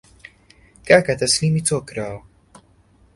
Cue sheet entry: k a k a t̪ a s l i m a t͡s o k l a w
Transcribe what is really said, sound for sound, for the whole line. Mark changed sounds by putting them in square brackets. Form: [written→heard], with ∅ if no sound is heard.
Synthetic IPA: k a k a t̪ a s l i m [a→i] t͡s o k [l→ɾ] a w